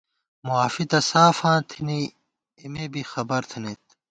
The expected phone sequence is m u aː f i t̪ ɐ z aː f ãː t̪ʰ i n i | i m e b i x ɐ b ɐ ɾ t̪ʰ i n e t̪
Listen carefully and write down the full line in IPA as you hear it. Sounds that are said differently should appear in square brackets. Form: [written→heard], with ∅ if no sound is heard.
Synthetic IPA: m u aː f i t̪ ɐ [z→s] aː f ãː t̪ʰ i n i | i m e b i x ɐ b ɐ ɾ t̪ʰ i n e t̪